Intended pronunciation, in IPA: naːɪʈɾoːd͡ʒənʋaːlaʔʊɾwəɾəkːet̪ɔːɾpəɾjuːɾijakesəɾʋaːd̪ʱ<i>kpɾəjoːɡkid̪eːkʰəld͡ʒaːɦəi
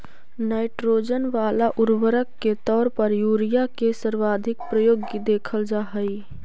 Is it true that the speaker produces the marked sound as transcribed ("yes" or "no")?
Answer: no